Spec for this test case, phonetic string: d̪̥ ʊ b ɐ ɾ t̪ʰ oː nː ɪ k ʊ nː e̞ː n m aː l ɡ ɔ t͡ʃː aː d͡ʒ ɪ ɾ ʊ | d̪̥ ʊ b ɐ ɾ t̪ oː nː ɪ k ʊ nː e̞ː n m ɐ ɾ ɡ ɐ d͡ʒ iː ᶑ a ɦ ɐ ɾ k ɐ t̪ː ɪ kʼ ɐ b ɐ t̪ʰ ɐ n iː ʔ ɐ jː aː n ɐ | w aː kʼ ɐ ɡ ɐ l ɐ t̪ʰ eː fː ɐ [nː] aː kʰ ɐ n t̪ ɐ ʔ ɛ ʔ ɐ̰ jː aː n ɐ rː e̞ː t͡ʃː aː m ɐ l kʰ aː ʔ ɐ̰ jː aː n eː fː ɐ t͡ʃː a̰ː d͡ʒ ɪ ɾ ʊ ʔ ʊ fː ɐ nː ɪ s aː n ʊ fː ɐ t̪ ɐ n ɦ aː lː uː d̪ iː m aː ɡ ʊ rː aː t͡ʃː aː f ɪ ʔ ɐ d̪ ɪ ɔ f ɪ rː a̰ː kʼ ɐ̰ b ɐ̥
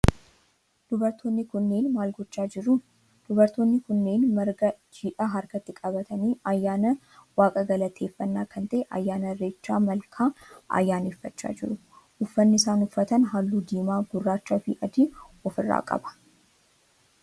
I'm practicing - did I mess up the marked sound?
no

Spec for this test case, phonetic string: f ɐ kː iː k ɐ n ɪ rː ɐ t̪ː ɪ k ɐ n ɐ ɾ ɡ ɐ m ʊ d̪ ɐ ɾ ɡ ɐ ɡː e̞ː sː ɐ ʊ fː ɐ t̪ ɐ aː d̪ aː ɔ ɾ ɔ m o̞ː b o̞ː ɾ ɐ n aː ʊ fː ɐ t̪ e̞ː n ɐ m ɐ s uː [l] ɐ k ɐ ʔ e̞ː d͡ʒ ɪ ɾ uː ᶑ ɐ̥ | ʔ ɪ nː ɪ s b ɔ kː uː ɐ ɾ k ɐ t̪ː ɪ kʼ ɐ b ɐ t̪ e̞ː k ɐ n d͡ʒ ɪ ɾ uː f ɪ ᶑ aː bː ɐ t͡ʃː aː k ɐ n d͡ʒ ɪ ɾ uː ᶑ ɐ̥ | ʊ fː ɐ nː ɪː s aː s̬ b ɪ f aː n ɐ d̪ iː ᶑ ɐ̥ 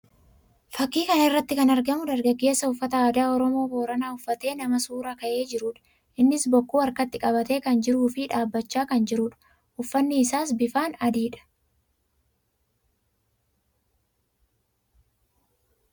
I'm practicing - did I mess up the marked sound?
yes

